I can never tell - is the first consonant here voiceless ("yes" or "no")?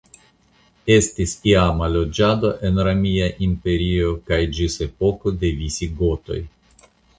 yes